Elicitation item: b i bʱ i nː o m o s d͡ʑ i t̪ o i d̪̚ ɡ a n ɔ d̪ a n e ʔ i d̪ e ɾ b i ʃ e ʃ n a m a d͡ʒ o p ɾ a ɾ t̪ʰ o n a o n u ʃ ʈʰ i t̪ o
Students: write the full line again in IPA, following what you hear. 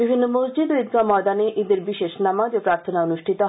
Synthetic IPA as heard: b i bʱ i nː o m o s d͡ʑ i d̪ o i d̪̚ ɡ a m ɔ d̪ a n e ʔ i d̪ e ɾ b i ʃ e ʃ n a m a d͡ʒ o p ɾ a ɾ t̪ʰ o n a o n u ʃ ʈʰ i t̪ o